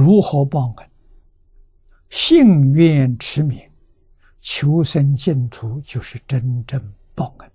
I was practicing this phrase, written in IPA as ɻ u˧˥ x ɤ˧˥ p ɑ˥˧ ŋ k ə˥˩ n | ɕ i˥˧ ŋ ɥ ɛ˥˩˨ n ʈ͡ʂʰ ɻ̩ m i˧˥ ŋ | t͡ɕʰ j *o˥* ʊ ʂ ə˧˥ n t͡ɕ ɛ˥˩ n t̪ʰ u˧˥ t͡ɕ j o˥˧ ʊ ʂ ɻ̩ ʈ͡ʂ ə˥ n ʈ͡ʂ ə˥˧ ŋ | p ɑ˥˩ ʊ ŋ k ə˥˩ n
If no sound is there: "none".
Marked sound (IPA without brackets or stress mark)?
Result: o˧˥